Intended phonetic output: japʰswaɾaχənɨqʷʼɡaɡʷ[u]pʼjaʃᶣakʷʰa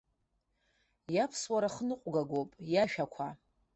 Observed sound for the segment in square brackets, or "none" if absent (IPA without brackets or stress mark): o